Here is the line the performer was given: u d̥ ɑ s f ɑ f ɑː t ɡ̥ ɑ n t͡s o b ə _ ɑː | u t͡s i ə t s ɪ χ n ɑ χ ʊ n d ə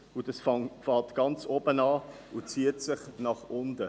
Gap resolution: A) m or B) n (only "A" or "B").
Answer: B